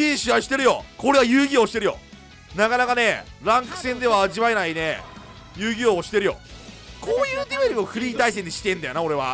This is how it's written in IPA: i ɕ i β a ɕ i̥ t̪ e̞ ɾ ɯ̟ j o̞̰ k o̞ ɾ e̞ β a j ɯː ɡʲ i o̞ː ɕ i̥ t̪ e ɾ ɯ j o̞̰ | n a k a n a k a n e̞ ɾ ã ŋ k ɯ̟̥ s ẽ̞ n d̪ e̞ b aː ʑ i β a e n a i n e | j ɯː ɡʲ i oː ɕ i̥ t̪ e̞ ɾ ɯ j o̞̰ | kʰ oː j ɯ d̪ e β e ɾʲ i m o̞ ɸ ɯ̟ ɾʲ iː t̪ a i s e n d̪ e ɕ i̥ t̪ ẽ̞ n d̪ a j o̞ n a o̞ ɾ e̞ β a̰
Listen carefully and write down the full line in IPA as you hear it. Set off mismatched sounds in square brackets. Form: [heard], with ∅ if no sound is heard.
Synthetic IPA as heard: i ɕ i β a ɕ i̥ t̪ e̞ ɾ ɯ̟ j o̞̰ k o̞ ɾ e̞ β a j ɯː ɡʲ i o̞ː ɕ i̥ t̪ e ɾ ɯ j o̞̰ | n a k a n a k a n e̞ ɾ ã ŋ k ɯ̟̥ s ẽ̞ n d̪ e̞ [β] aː ʑ i β a e n a i n e | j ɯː ɡʲ i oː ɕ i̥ t̪ e̞ ɾ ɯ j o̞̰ | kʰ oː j [ɯː] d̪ e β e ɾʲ i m o̞ ɸ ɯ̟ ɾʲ iː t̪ a i s e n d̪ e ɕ i̥ t̪ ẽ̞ n d̪ a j o̞ n a o̞ ɾ e̞ β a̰